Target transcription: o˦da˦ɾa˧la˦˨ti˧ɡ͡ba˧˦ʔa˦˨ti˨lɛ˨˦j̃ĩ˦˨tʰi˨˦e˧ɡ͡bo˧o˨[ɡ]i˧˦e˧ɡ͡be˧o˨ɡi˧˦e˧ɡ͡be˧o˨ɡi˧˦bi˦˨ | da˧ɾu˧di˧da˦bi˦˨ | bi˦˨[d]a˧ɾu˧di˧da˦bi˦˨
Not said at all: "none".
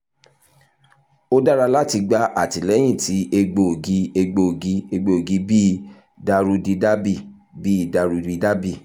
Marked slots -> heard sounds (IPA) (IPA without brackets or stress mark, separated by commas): ɡ, d